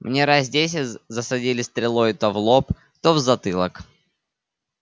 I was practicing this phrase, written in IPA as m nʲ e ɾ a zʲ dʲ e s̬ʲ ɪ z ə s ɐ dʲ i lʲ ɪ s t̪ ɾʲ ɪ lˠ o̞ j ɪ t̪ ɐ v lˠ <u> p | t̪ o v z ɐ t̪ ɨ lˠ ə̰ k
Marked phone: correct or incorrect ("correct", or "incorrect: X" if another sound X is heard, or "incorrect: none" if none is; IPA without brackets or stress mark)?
incorrect: o